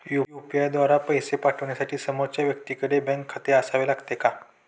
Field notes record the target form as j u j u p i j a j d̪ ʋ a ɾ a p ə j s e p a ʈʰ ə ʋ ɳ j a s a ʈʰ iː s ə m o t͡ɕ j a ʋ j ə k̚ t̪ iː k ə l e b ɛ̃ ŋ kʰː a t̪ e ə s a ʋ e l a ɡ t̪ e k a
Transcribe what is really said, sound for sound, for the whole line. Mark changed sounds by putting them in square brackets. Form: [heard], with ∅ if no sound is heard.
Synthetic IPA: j u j u p i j a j d̪ ʋ a ɾ a p ə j s e p a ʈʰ ə ʋ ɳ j a s a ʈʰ iː s ə m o t͡ɕ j a ʋ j ə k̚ t̪ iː k ə [ɽ] e b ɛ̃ ŋ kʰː a t̪ e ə s a ʋ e l a ɡ t̪ e k a